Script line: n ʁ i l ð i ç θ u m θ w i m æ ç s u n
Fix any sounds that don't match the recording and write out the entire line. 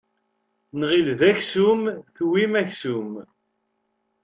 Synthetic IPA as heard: n ʁ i l ð æ ç s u m θ w i m æ ç s u m